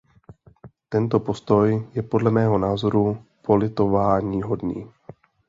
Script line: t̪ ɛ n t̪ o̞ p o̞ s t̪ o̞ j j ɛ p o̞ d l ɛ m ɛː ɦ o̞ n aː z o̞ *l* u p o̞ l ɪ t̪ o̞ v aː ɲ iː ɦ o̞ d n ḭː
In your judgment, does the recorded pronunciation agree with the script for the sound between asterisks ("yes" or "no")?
no